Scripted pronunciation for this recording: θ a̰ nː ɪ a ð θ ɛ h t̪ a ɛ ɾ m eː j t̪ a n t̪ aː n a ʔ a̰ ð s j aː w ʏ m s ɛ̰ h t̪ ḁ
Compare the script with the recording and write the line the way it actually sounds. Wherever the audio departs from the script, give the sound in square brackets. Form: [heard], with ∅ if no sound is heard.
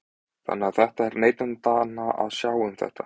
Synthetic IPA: θ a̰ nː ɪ a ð θ ɛ h t̪ a ɛ ɾ [n] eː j t̪ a n t̪ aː n a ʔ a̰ ð s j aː w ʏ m [θ] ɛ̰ h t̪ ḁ

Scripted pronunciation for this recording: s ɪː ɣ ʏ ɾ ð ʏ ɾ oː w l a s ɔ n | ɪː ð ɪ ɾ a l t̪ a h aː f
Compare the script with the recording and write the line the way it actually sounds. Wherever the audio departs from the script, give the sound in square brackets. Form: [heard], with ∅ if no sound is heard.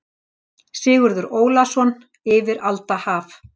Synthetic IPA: s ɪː ɣ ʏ ɾ ð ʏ ɾ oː w l a s ɔ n | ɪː [v] ɪ ɾ a l t̪ a h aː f

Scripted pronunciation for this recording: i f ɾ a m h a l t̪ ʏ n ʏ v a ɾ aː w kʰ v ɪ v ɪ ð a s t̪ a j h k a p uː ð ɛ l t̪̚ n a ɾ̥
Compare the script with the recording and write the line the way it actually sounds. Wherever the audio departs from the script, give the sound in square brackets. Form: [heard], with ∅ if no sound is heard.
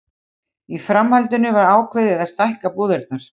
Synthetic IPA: i f ɾ a m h a l t̪ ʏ n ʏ v a ɾ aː w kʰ v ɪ [ð] ɪ ð a s t̪ a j h k a p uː ð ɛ [ɾ] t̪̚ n a ɾ̥

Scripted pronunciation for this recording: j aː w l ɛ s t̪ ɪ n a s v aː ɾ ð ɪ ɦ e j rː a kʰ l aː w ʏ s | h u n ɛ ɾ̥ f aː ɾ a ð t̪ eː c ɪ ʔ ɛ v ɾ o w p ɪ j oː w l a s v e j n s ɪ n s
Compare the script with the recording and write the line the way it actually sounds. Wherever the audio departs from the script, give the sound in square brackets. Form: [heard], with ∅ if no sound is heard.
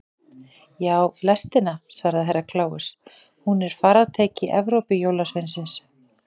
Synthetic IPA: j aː w l ɛ s t̪ ɪ n a s v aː ɾ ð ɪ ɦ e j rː a kʰ l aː w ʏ s | h u n ɛ ɾ̥ f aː ɾ a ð [t̪ʰ] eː c ɪ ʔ ɛ v ɾ o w p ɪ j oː w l a s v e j n s ɪ n s

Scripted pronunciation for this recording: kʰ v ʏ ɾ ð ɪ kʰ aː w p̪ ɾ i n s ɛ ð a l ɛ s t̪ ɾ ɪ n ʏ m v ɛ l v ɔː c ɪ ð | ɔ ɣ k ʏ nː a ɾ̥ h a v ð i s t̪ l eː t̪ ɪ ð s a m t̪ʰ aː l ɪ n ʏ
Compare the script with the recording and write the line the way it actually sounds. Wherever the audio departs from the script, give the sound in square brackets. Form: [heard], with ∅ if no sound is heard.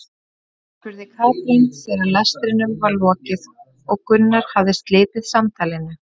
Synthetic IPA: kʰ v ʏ ɾ ð ɪ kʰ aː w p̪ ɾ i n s ɛ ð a l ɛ s t̪ ɾ ɪ n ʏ m v [a] l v ɔː c ɪ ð | ɔ ɣ k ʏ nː a ɾ̥ h a v ð [ɪ] s t̪ l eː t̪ ɪ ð s a m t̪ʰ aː l ɪ n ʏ

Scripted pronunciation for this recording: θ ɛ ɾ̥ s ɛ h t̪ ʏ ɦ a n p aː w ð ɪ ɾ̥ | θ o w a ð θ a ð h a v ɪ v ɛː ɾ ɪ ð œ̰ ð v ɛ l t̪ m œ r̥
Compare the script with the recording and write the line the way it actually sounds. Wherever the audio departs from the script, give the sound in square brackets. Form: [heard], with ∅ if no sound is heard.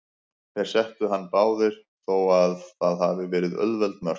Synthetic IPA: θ ɛ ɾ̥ s ɛ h t̪ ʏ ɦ a [nː] p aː w ð ɪ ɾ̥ | θ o w a ð θ a ð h a v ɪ v ɛː ɾ ɪ ð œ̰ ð v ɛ l t̪ m œ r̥

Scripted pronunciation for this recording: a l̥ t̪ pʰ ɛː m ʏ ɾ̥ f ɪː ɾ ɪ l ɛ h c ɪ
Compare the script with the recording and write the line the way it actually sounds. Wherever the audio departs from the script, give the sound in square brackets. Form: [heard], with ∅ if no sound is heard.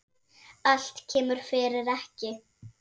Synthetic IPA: a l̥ t̪ [cʰ] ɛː m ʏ ɾ̥ f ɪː ɾ ɪ [ɾ] ɛ h c ɪ

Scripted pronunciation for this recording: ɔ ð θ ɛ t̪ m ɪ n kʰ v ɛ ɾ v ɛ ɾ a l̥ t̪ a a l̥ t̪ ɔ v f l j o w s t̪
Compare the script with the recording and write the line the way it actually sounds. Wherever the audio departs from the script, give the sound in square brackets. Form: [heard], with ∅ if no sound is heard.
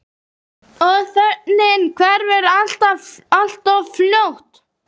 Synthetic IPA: ɔ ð θ ɛ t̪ [n] ɪ n kʰ v ɛ ɾ v ɛ ɾ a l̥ t̪ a a l̥ t̪ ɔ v f l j o w [h] t̪

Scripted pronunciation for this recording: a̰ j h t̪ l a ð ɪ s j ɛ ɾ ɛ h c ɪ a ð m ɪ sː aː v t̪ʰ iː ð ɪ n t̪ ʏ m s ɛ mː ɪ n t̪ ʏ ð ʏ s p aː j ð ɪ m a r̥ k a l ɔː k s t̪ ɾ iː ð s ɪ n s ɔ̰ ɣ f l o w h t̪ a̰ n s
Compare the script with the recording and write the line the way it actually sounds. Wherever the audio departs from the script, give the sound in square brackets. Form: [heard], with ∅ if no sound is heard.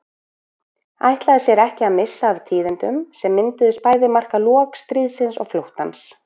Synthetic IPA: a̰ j h t̪ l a ð ɪ s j ɛ ɾ ɛ h c ɪ a ð m ɪ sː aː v t̪ʰ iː ð ɪ n t̪ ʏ m s ɛ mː ɪ n t̪ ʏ ð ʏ s p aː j ð ɪ m a r̥ k a l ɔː k s t̪ ɾ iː ð s ɪ n s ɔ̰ ɣ f l o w h t̪ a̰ n s

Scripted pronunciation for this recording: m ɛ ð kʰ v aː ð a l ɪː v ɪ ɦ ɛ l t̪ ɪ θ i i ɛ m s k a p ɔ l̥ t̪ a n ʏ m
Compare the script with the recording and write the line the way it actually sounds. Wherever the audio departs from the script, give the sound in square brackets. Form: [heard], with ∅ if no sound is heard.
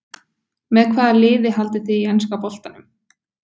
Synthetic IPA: m ɛ ð kʰ v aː ð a l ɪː [ð] ɪ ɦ [a] l t̪ ɪ θ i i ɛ [n] s k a p ɔ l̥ t̪ a n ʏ m

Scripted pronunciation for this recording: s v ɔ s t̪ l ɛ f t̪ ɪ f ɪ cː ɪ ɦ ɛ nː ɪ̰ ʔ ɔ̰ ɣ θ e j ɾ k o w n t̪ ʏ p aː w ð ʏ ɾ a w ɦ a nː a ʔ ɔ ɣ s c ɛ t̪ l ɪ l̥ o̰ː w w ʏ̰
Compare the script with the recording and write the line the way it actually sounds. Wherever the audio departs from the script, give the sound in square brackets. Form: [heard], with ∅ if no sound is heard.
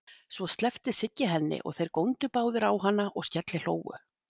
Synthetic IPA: s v ɔ s t̪ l ɛ f t̪ ɪ [s] ɪ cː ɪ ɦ ɛ nː ɪ̰ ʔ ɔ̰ ɣ θ e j ɾ k o w n t̪ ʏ p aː w ð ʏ ɾ a w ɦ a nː a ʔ ɔ ɣ s c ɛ t̪ l ɪ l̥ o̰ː w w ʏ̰

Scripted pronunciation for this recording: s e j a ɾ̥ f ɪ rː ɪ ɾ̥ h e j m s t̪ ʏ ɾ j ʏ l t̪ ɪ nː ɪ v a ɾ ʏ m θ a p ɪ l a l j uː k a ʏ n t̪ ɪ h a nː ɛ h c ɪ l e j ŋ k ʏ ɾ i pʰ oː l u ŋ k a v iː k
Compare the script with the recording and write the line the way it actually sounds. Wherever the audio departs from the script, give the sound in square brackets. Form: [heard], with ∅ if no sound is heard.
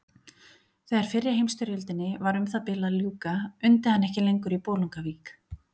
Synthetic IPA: [θ] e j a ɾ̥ f ɪ rː ɪ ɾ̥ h e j m s t̪ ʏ ɾ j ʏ l t̪ ɪ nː ɪ v a ɾ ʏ m θ a p ɪ l a l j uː k a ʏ n t̪ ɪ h a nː ɛ h c ɪ l e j ŋ k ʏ ɾ i [p] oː l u ŋ k a v iː k

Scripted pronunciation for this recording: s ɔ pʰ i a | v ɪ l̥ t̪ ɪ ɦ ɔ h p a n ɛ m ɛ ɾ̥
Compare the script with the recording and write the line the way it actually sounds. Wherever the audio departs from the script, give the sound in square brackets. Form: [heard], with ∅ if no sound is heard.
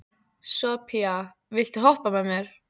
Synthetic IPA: s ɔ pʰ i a | v ɪ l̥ t̪ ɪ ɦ ɔ h p a [m] ɛ m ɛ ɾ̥

